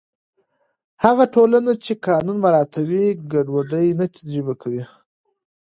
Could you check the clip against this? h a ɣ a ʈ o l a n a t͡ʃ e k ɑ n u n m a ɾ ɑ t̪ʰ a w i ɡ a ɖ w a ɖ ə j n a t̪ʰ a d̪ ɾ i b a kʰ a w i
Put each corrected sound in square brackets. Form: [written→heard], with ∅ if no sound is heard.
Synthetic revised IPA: h a ɣ a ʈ o l a n a t͡ʃ e k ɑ n u n m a ɾ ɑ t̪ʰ a w i ɡ a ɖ w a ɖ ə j n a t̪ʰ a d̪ ɾ i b a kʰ a w i